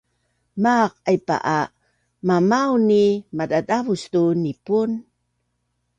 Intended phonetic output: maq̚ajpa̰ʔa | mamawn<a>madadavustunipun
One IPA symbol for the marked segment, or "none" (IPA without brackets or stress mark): i